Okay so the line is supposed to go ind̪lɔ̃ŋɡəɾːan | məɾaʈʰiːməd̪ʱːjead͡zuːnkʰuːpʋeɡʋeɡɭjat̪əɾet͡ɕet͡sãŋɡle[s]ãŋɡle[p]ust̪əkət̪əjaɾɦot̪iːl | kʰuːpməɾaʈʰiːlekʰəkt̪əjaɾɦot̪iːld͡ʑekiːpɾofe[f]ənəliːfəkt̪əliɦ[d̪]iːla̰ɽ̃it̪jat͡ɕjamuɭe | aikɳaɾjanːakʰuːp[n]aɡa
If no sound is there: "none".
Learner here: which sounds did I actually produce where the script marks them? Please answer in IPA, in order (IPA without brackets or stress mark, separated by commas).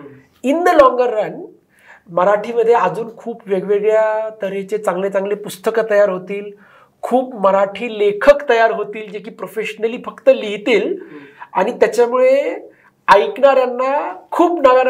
t͡s, p, ɕ, t̪, n